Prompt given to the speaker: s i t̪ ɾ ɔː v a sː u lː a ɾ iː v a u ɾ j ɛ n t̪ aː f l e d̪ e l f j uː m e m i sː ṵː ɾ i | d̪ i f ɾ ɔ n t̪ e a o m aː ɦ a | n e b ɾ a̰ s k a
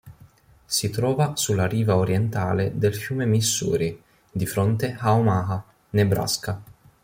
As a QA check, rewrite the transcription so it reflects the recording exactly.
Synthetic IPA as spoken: s i t̪ ɾ ɔː v a s u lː a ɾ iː v a o ɾ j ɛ n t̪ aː l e d̪ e l f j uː m e m i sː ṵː ɾ i | d̪ i f ɾ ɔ n t̪ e a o m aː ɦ a | n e b ɾ a̰ s k a

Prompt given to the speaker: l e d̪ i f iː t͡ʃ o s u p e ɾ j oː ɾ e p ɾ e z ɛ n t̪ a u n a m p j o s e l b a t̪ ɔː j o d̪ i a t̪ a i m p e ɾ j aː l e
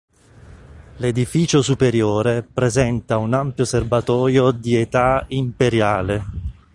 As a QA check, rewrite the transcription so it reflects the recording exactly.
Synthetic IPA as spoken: l e d̪ i f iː t͡ʃ o s u p e ɾ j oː ɾ e p ɾ e z ɛ n t̪ a u n a m p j o s e r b a t̪ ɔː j o d̪ i e t̪ a i m p e ɾ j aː l e

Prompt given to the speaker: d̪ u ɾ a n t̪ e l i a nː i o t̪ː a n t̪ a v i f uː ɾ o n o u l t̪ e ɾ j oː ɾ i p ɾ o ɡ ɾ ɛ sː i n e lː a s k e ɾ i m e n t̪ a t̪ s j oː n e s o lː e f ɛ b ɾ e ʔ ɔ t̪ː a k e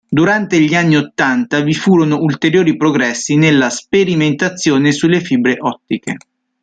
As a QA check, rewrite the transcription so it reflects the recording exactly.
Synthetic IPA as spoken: d̪ u ɾ a n t̪ e ʎ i a nː i o t̪ː a n t̪ a v i f uː ɾ o n o u l t̪ e ɾ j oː ɾ i p ɾ o ɡ ɾ ɛ sː i n e lː a s p e ɾ i m e n t̪ a t̪ sː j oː n e s u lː e f i b ɾ e ʔ ɔ t̪ː i k e

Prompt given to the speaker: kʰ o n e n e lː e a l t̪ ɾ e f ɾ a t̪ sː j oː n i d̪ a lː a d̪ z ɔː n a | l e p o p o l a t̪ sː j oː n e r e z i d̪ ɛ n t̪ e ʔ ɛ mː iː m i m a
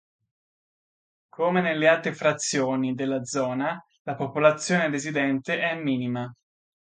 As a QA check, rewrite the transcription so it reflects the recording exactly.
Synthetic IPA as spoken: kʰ o m e n e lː e a l t̪ ɾ e f ɾ a t̪ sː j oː n i d̪ e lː a d̪ z ɔː n a | l a p o p o l a t̪ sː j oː n e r e z i d̪ ɛ n t̪ e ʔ ɛ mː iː n i m a

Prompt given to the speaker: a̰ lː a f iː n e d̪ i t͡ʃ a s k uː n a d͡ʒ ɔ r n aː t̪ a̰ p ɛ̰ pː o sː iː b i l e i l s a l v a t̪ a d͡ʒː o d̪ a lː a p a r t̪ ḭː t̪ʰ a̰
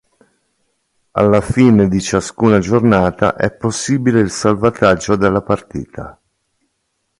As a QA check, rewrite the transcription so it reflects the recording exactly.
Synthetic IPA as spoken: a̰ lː a f iː n e d̪ i t͡ʃ a s k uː n a d͡ʒ o r n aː t̪ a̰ ʔ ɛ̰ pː o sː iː b i l e i l s a l v a t̪ a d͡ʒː o d̪ e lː a p a r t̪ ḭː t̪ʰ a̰

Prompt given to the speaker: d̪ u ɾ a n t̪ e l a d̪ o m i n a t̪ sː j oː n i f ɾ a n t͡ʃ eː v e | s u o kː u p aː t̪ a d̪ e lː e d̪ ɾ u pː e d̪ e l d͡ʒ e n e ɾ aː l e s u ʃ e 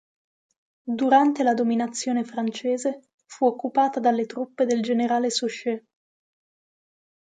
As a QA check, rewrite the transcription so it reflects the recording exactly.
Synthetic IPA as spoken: d̪ u ɾ a n t̪ e l a d̪ o m i n a t̪ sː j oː n e f ɾ a n t͡ʃ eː z e | f u o kː u p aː t̪ a d̪ a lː e t̪ ɾ u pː e d̪ e l d͡ʒ e n e ɾ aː l e s u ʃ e

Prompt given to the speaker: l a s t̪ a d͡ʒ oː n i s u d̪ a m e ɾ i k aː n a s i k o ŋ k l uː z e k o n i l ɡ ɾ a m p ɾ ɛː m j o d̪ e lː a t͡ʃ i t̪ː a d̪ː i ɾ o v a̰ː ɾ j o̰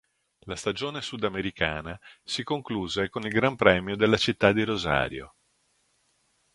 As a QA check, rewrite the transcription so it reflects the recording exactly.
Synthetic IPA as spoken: l a s t̪ a d͡ʒ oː n e s u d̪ a m e ɾ i k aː n a s i k o ŋ k l uː z e k o n i l ɡ ɾ a m p ɾ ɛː m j o d̪ e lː a t͡ʃ i t̪ː a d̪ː i ɾ o z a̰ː ɾ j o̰

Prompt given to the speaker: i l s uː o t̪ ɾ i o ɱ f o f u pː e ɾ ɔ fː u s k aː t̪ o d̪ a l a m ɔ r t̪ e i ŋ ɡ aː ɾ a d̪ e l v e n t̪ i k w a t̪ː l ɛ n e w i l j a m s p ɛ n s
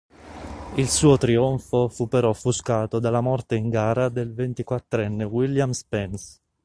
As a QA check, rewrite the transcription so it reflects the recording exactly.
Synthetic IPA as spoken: i l s uː o t̪ ɾ i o ɱ f o f u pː e ɾ ɔ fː u s k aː t̪ o d̪ a l a m ɔ r t̪ e i ŋ ɡ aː ɾ a d̪ e l v e n t̪ i k w a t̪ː ɾ ɛ nː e w i l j a m s p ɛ n s

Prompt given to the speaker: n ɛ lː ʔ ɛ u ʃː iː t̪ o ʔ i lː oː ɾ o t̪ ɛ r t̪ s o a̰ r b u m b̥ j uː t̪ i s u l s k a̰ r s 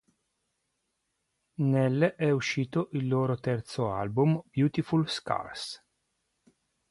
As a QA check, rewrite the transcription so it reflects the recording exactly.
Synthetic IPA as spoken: n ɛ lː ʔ ɛ u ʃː iː t̪ o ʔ i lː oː ɾ o t̪ ɛ r t̪ s o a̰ l b u m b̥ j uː t̪ i f u l s k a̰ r s

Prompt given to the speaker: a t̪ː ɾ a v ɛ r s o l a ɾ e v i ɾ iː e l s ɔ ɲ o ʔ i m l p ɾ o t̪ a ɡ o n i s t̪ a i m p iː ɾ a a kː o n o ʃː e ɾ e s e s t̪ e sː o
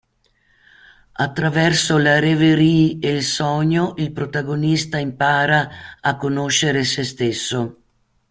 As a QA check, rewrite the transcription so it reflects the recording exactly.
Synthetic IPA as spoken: a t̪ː ɾ a v ɛ r s o l a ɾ e v e ɾ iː e l s ɔ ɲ o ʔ i l p ɾ o t̪ a ɡ o n i s t̪ a i m p aː ɾ a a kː o n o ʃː e ɾ e s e s t̪ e sː o

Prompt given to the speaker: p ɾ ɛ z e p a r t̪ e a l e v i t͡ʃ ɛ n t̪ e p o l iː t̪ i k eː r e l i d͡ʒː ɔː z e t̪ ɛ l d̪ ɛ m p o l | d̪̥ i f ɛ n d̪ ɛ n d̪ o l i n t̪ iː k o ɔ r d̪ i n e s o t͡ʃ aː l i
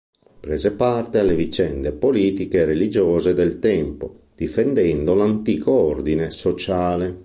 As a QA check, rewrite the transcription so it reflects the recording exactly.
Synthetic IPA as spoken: p ɾ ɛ z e p a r t̪ e a l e v i t͡ʃ ɛ n d̪ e p o l iː t̪ i k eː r e l i d͡ʒ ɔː z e d̪ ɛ l t̪ ɛ m p o | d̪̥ i f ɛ n d̪ ɛ n d̪ o l a n t̪ iː k o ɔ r d̪ i n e s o t͡ʃ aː l e

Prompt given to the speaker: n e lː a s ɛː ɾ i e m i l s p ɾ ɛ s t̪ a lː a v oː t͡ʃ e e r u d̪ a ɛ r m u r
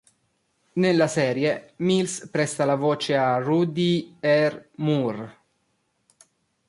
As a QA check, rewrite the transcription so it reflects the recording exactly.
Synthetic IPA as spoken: n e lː a s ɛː ɾ j e m i l s p ɾ ɛ s t̪ a l a v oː t͡ʃ e a r u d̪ i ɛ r m u r

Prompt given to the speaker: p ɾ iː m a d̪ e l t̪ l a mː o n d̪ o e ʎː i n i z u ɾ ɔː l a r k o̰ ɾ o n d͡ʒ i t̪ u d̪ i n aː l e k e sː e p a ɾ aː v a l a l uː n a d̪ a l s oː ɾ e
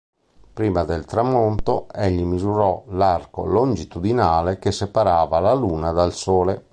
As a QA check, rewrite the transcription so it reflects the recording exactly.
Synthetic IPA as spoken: p ɾ iː m a d̪ e l t̪ ɾ a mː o n t̪ o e ʎː i m i z u ɾ ɔ l a r k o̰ l o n d͡ʒ i t̪ u d̪ i n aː l e k e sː e p a ɾ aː v a l a l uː n a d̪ a l s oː l e

